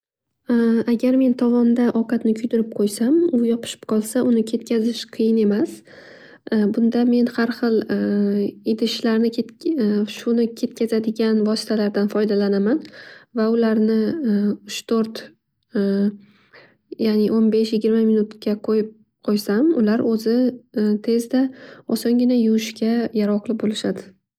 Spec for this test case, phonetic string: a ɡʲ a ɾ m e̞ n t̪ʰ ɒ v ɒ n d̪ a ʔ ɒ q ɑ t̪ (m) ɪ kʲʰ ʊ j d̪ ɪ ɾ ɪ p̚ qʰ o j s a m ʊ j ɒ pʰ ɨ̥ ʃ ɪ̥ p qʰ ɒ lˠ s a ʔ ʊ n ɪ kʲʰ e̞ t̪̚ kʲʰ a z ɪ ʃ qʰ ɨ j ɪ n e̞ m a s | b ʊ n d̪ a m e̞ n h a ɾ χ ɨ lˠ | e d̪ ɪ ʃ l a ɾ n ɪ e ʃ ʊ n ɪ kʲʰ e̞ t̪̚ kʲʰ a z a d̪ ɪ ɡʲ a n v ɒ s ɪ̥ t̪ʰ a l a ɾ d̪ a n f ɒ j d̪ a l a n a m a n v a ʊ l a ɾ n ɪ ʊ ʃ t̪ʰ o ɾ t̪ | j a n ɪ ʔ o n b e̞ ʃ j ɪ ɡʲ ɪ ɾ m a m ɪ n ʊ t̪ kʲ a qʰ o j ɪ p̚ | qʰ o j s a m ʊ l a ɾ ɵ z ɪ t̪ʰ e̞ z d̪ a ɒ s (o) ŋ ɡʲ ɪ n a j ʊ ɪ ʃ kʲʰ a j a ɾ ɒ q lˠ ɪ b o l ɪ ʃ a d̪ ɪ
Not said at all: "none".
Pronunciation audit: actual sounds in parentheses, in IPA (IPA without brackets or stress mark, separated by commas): n, ɒ